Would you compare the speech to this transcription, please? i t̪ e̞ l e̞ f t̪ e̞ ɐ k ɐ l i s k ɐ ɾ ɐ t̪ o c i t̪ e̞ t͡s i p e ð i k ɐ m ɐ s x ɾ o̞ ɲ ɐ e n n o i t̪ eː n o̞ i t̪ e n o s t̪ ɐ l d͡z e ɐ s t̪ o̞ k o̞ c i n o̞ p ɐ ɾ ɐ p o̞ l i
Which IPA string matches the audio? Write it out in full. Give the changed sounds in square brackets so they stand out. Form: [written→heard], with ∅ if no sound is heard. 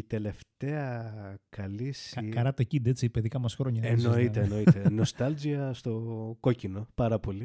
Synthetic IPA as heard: i t̪ e̞ l e̞ f t̪ e̞ ɐ k ɐ l i s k ɐ ɾ ɐ t̪ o c i [t̪→d̪] e̞ t͡s i p e ð i k ɐ m ɐ s x ɾ o̞ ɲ ɐ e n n o i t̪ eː n o̞ i t̪ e n o s t̪ ɐ l d͡z [e→i] ɐ s t̪ o̞ k o̞ c i n o̞ p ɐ ɾ ɐ p o̞ l i